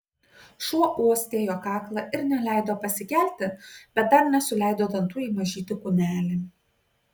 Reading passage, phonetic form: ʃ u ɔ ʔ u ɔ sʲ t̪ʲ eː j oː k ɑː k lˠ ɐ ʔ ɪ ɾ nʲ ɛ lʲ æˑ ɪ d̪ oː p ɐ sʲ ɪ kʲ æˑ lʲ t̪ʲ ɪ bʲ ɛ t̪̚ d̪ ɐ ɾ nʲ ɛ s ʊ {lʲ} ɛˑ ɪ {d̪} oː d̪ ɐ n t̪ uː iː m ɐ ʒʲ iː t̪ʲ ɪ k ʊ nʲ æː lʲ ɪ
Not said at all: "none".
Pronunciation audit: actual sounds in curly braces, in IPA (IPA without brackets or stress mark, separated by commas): lʲ, d̪